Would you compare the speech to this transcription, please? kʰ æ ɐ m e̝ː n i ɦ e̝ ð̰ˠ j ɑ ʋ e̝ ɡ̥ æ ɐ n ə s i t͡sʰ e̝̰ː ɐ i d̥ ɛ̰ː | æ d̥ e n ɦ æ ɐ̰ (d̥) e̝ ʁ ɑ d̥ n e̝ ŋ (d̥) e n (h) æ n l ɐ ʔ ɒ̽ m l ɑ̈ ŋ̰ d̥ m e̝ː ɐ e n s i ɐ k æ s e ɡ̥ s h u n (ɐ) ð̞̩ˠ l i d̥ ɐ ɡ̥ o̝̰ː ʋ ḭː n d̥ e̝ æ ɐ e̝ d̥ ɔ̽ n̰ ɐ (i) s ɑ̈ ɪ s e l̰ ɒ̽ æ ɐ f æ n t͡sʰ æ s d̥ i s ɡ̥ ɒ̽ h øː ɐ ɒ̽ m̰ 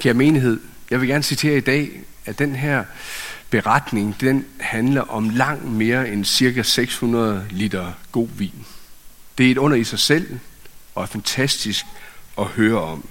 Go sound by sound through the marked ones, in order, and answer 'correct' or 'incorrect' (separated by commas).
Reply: incorrect, correct, correct, correct, correct